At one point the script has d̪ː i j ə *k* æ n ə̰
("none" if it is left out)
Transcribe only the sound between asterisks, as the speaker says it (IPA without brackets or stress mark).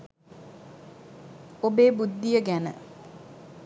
ɡ